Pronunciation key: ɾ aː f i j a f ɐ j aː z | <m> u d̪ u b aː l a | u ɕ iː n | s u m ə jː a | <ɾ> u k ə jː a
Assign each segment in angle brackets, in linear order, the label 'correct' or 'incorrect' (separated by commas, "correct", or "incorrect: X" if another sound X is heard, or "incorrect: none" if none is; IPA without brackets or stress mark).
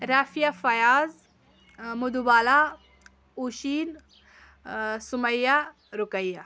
correct, correct